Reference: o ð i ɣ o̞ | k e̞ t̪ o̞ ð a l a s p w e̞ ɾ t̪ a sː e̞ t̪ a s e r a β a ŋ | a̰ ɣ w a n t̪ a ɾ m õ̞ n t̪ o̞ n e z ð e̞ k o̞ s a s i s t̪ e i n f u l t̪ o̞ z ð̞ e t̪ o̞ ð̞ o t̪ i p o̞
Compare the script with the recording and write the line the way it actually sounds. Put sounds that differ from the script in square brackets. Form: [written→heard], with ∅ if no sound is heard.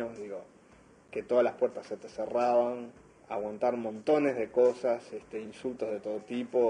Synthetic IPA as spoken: o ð i ɣ o̞ | k e̞ t̪ o̞ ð a l a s p w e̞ ɾ t̪ a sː e̞ t̪ [a→e] s e r a β a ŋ | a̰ ɣ w a n t̪ a ɾ m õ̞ n t̪ o̞ n e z ð e̞ k o̞ s a s [i→e] s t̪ e i n [f→s] u l t̪ o̞ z ð̞ e t̪ o̞ ð̞ o t̪ i p o̞

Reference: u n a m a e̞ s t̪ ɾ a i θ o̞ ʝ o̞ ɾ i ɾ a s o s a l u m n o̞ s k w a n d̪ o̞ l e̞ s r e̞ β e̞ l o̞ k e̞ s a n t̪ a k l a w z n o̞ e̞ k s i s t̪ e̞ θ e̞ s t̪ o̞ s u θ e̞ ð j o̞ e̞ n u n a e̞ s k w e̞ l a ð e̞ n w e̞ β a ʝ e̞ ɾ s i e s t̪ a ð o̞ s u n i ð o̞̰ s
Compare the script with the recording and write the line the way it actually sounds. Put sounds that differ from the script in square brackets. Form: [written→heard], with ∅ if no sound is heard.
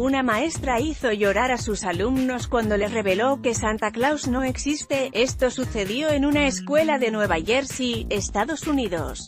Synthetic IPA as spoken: u n a m a e̞ s t̪ ɾ a i θ o̞ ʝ o̞ ɾ [i→a] ɾ a s [o→u] s a l u m n o̞ s k w a n d̪ o̞ l e̞ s r e̞ β e̞ l o̞ k e̞ s a n t̪ a k l a w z n o̞ e̞ k s i s t̪ e̞ [θ→∅] e̞ s t̪ o̞ s u θ e̞ ð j o̞ e̞ n u n a e̞ s k w e̞ l a ð e̞ n w e̞ β a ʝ e̞ ɾ s i e s t̪ a ð o̞ s u n i ð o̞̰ s

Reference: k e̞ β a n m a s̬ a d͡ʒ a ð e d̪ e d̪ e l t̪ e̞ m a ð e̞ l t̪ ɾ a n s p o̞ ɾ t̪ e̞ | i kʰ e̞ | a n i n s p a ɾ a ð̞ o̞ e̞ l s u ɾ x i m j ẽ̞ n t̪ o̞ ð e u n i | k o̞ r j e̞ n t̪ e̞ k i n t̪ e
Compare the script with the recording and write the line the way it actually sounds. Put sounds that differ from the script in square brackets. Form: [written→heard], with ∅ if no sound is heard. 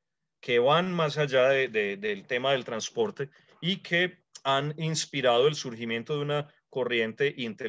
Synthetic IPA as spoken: k e̞ β a n m a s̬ a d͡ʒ a ð e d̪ e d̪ e l t̪ e̞ m a ð e̞ l t̪ ɾ a n s p o̞ ɾ t̪ e̞ | i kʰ e̞ | a n i n s p [a→i] ɾ a ð̞ o̞ e̞ l s u ɾ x i m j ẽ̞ n t̪ o̞ ð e u n [i→a] | k o̞ r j e̞ n t̪ e̞ [k→ʔ] i n t̪ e

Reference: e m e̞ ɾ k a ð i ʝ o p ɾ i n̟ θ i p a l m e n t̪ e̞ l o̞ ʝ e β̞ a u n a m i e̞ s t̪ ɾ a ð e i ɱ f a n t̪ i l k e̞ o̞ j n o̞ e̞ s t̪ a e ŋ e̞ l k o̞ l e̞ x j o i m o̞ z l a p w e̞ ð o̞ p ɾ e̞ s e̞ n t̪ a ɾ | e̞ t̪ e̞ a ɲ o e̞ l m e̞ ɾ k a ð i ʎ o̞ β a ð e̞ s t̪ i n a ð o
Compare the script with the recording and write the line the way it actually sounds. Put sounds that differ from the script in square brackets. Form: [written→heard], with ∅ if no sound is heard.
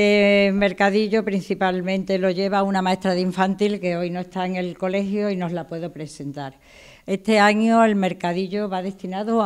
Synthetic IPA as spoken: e m e̞ ɾ k a ð i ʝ o p ɾ i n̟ θ i p a l m [e→ẽ] n t̪ e̞ l o̞ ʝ e β̞ a u n a m [i→a] e̞ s t̪ ɾ a ð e i ɱ f a n t̪ i l k e̞ o̞ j n o̞ e̞ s t̪ a e ŋ e̞ l k o̞ l e̞ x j o i [m→n] o̞ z l a p w e̞ ð o̞ p ɾ e̞ s e̞ n t̪ a ɾ | e̞ t̪ e̞ a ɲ o e̞ l m e̞ ɾ k a ð i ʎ o̞ β a ð e̞ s t̪ i n a ð o

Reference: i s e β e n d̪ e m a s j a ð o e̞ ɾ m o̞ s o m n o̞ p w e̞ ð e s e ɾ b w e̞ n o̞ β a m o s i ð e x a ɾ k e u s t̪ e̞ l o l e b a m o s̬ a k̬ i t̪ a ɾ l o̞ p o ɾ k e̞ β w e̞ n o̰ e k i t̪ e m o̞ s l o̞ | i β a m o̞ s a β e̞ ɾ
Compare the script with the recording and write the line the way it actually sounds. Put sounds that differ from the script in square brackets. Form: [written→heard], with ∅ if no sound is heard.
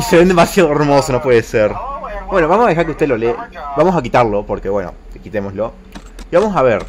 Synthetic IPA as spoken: i s e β e n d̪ e m a s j a ð o e̞ ɾ m o̞ s o [m→∅] n o̞ p w e̞ ð e s e ɾ b w e̞ n o̞ β a m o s [i→a] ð e x a ɾ k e u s t̪ e̞ l o l e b a m o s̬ a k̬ i t̪ a ɾ l o̞ p o ɾ k e̞ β w e̞ n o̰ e k i t̪ e m o̞ s l o̞ | i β a m o̞ s a β e̞ ɾ

